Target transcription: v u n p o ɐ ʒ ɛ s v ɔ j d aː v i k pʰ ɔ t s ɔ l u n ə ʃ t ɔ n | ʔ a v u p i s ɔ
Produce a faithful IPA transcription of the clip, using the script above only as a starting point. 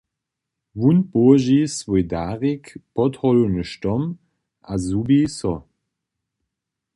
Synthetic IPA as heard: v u n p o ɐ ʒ i s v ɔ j d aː ʁ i k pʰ ɔ t h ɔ l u n ə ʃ t ɔ m | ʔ a z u b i s ɔ